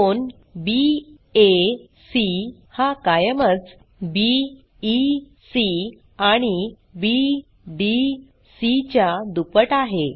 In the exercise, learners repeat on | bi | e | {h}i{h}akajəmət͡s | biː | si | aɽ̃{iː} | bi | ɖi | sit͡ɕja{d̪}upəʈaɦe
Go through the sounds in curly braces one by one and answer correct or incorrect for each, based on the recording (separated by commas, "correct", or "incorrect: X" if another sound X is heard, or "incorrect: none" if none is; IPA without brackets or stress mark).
incorrect: s, correct, incorrect: i, correct